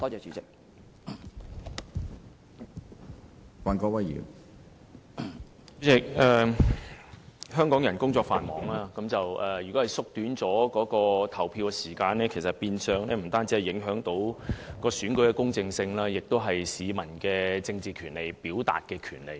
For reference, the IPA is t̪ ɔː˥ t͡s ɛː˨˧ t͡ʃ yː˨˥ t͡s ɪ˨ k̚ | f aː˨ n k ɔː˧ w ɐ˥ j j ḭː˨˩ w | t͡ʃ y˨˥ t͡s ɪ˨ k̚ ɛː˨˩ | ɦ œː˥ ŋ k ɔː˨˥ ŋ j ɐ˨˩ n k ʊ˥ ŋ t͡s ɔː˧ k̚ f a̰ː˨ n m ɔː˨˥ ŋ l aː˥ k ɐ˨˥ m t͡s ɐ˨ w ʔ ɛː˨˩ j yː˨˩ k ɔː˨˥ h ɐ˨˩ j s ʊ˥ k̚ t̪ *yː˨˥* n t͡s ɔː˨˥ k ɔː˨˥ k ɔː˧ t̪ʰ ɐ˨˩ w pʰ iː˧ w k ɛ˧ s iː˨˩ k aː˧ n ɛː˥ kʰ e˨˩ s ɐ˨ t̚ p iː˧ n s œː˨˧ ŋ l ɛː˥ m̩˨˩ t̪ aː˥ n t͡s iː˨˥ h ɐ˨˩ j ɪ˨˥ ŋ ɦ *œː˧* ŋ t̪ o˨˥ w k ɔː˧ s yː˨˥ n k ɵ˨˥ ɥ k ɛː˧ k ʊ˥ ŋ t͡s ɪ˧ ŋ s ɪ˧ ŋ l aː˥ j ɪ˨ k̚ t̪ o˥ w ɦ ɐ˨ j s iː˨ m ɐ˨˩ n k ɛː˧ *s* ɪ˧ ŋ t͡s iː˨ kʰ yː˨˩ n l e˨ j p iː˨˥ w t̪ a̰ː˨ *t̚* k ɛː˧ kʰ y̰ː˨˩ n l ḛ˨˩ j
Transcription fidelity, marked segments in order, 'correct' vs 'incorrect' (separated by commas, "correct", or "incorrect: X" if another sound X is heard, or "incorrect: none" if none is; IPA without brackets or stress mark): correct, incorrect: œː˨˥, incorrect: t͡s, correct